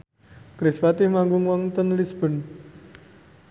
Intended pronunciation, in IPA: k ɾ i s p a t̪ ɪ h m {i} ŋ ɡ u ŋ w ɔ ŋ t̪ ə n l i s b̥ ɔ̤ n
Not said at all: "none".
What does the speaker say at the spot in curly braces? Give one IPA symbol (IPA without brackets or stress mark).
a